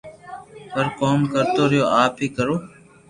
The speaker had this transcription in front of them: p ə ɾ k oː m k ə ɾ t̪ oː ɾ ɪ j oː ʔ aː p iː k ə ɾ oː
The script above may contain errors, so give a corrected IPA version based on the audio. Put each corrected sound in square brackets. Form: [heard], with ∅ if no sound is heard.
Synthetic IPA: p ə ɾ k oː m k ə ɾ t̪ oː ɾ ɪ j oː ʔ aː p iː k ə ɾ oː

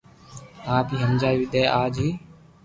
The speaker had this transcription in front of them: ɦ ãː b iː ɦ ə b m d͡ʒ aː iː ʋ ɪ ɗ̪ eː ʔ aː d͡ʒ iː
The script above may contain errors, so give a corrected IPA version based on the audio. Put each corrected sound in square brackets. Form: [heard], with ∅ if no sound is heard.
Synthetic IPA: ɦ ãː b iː ɦ ə [∅] m d͡ʒ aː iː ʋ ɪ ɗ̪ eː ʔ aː d͡ʒ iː

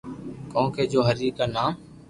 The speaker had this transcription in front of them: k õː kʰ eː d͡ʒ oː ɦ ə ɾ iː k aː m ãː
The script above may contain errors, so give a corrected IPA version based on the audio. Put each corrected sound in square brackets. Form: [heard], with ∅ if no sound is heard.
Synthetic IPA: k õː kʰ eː d͡ʒ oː ɦ ə ɾ iː k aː [n] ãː

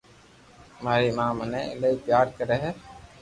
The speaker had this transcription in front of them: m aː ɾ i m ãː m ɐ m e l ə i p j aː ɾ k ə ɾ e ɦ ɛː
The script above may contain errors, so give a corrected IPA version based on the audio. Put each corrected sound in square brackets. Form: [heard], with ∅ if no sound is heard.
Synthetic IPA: m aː ɾ i m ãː m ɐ [n] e l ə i p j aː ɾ k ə ɾ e ɦ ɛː

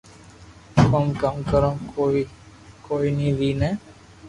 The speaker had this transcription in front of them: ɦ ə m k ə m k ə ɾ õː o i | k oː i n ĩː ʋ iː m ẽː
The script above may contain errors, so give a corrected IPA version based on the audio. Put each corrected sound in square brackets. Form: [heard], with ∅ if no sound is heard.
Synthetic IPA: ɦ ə m k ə m k ə ɾ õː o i | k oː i n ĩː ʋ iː [n] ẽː

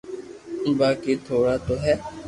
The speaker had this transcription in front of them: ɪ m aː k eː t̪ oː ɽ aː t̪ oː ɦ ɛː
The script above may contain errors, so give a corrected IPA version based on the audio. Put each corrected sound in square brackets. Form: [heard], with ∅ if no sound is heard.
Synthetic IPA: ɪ [b] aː k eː [t̪ʰ] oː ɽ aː t̪ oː ɦ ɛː

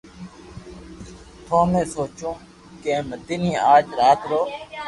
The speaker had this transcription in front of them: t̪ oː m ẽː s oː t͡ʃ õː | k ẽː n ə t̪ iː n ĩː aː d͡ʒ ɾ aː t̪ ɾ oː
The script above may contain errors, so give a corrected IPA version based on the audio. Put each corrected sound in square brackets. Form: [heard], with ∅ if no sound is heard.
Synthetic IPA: [t̪ʰ] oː m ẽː s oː t͡ʃ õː | k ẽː [m] ə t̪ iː n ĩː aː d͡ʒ ɾ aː t̪ ɾ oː

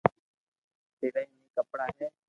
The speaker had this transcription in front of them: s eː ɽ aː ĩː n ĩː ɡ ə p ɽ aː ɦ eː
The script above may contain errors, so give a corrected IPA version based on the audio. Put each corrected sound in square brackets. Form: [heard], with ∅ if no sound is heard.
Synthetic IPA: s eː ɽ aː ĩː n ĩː [k] ə p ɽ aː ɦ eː

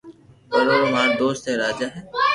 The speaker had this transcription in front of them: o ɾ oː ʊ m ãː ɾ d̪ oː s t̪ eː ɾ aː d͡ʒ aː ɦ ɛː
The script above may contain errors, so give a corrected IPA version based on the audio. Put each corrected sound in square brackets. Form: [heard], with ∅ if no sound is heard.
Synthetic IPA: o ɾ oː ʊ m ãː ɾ d̪ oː s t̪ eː ɾ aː d͡ʒ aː ɦ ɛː

